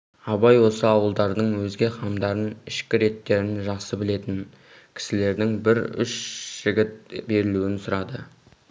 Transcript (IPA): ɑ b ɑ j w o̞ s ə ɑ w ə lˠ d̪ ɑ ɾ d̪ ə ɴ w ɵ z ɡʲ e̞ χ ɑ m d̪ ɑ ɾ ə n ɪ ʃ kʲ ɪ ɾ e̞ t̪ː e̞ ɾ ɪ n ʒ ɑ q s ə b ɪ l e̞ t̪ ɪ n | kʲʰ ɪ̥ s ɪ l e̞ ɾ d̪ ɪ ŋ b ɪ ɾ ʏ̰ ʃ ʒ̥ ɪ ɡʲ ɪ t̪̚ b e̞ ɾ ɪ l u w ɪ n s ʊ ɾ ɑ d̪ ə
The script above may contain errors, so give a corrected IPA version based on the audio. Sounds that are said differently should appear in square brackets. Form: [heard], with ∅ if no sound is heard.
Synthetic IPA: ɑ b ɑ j w o̞ s ə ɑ w ə lˠ d̪ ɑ ɾ d̪ ə ɴ w ɵ z ɡʲ e̞ χ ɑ m d̪ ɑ ɾ ə n ɪ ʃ kʲ ɪ ɾ e̞ t̪ː e̞ ɾ ɪ n ʒ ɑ q s ə b ɪ l e̞ t̪ ɪ n | kʲʰ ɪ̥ s ɪ l e̞ ɾ d̪ ɪ ŋ b ɪ ɾ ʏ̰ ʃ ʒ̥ ɪ ɡʲ ɪ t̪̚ b e̞ ɾ ɪ l u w ɪ n s ʊ ɾ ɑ d̪ ə